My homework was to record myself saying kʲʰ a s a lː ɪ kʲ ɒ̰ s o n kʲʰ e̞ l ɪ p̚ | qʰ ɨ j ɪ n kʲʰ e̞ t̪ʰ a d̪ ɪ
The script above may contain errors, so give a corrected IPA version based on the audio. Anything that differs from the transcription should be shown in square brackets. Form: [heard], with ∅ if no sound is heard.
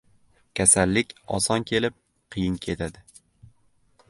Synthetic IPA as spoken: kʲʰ a s a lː ɪ kʲ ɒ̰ s [ɒ] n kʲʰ e̞ l ɪ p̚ | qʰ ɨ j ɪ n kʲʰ e̞ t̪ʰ a d̪ ɪ

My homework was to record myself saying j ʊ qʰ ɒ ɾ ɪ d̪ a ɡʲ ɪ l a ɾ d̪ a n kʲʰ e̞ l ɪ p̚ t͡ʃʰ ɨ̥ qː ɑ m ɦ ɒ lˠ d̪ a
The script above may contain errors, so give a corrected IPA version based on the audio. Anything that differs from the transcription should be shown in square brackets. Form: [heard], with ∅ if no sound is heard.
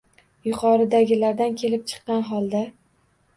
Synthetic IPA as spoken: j ʊ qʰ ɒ ɾ ɪ d̪ a ɡʲ ɪ l a ɾ d̪ a n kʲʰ e̞ l ɪ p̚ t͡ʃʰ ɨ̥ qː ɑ [n] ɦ ɒ lˠ d̪ a

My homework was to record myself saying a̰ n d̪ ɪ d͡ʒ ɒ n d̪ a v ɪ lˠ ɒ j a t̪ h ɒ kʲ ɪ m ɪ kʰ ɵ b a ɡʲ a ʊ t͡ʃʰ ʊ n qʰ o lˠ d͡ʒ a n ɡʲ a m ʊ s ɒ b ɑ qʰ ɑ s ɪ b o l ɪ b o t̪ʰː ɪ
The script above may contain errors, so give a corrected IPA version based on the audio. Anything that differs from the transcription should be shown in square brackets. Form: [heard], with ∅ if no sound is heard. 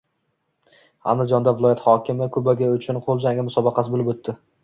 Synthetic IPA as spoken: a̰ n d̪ ɪ d͡ʒ ɒ n d̪ a v ɪ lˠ ɒ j a t̪ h ɒ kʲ ɪ m ɪ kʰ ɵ b a ɡʲ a ʊ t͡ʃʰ ʊ n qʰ o lˠ d͡ʒ a [ŋ] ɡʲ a m ʊ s ɒ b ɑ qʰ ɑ s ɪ b o l ɪ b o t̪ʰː ɪ

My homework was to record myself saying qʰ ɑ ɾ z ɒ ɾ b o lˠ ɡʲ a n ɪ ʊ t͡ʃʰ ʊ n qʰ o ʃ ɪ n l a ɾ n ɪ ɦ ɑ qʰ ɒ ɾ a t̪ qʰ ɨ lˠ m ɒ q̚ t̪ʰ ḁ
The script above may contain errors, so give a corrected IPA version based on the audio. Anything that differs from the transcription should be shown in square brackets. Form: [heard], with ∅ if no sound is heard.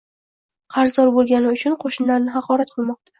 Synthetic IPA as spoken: qʰ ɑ ɾ z ɒ ɾ b o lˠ ɡʲ a n ɪ ʊ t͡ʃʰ ʊ n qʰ o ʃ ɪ n l a ɾ n ɪ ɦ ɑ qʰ ɒ ɾ a t̪ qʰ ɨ lˠ m ɒ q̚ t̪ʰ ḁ

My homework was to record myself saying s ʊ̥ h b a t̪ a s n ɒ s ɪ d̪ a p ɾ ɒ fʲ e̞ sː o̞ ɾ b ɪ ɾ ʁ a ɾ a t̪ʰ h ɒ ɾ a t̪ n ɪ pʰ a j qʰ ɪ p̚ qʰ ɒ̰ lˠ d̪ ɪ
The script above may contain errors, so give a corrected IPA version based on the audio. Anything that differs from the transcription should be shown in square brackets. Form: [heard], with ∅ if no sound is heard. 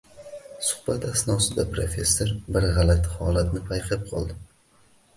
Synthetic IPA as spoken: s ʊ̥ h b a t̪ a s n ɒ s ɪ d̪ a p ɾ [o] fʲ e̞ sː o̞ ɾ b ɪ ɾ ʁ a [l] a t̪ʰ h ɒ [l] a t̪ n ɪ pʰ a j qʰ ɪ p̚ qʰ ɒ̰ lˠ d̪ ɪ

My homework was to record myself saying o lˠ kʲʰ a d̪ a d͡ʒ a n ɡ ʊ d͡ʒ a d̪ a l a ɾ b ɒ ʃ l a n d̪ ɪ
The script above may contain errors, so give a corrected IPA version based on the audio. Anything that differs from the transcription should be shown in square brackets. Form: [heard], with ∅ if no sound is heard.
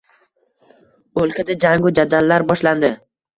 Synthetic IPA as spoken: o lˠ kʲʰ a d̪ a d͡ʒ a [ŋ] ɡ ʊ d͡ʒ a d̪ a [lː] a ɾ b ɒ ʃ l a n d̪ ɪ

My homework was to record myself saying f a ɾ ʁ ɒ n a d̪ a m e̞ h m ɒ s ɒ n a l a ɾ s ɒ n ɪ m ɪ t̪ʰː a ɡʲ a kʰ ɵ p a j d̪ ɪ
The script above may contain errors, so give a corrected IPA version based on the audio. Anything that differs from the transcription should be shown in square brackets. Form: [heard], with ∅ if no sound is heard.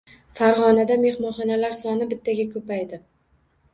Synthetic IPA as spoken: f a ɾ ʁ ɒ n a d̪ a m e̞ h m ɒ [χ] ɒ n a l a ɾ s ɒ n ɪ [b] ɪ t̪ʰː a ɡʲ a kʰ ɵ p a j d̪ ɪ

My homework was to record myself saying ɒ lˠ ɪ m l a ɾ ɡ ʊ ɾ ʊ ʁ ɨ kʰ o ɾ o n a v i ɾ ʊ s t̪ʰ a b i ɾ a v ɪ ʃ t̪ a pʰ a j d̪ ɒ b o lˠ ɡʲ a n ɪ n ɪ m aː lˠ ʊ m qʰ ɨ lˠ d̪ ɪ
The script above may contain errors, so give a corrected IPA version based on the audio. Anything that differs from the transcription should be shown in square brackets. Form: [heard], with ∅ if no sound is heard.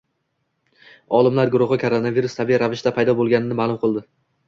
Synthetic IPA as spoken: ɒ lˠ ɪ m l a ɾ ɡ ʊ ɾ ʊ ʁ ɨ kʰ o ɾ o n a v i ɾ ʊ s t̪ʰ a b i ɾ a v ɪ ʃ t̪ a pʰ a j d̪ ɒ b o lˠ ɡʲ a n ɪ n ɪ m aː lˠ ʊ m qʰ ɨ lˠ d̪ ɪ

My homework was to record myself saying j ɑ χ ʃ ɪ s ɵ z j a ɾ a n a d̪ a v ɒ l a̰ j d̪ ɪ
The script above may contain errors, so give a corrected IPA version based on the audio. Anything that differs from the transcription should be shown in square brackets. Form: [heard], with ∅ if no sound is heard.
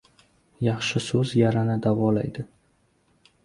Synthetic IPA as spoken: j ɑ χ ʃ ɪ s ɵ z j a ɾ a n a d̪ a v ɒ l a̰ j d̪ ɪ

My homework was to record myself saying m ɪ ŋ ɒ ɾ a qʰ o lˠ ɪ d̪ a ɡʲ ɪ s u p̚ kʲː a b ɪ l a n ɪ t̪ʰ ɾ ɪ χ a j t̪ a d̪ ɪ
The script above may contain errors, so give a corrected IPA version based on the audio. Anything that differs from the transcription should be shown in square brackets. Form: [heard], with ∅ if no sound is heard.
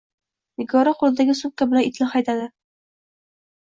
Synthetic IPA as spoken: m ɪ [ɡ] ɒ ɾ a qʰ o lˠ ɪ d̪ a ɡʲ ɪ s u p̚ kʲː a b ɪ l a n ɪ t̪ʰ [l] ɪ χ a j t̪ a d̪ ɪ

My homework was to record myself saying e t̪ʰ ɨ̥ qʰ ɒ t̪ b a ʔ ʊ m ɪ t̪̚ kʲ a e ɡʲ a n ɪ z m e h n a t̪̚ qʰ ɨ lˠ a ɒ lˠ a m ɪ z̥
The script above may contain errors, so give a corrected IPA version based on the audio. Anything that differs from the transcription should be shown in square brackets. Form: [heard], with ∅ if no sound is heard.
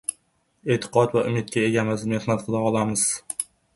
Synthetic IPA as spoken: e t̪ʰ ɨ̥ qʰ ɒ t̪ [v] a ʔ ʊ m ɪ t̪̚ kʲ a e ɡʲ a [m] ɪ z m e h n a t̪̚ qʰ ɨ lˠ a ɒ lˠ a m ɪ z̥

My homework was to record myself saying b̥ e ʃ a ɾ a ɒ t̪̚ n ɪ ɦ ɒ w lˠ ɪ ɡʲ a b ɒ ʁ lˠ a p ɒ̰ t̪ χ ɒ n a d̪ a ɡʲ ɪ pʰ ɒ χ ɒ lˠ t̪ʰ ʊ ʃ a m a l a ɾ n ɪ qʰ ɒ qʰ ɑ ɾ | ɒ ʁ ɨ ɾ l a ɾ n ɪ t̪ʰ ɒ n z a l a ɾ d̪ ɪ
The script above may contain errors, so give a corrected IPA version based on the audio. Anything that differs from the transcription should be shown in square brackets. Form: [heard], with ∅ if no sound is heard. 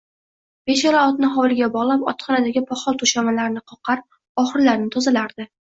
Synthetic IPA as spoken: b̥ e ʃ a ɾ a ɒ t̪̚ n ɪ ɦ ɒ w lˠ ɪ ɡʲ a b ɒ ʁ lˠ a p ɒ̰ t̪ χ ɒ n a d̪ a ɡʲ ɪ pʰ ɒ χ ɒ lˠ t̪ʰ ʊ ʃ a m a l a ɾ n ɪ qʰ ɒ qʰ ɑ ɾ | ɒ [χ] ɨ ɾ l a ɾ n ɪ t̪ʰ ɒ [∅] z a l a ɾ d̪ ɪ

